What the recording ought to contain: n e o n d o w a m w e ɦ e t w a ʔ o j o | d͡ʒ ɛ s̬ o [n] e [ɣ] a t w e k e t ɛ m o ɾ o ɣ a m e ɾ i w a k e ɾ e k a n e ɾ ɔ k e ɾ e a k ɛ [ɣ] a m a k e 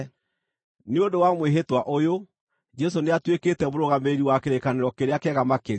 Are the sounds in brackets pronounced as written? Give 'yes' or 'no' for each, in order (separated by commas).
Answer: yes, no, yes